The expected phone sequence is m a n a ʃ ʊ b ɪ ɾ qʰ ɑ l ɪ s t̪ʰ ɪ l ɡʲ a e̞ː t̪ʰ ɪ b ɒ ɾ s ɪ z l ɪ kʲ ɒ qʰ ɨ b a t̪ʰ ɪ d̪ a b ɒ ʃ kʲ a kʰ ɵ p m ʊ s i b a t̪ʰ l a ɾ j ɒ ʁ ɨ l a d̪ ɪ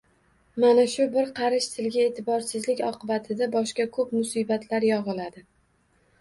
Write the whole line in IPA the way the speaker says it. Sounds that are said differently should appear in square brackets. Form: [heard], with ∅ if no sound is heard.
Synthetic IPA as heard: m a n a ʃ ʊ b ɪ ɾ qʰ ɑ [ɾ] ɪ [ʃ] t̪ʰ ɪ l ɡʲ a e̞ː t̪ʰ ɪ b ɒ ɾ s ɪ z l ɪ kʲ ɒ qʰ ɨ b a t̪ʰ ɪ d̪ a b ɒ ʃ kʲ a kʰ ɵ p m ʊ s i b a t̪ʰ l a ɾ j ɒ ʁ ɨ l a d̪ ɪ